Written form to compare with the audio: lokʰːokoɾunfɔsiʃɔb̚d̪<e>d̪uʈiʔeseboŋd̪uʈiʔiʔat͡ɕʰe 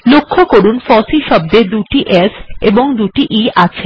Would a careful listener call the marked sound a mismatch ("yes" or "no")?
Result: no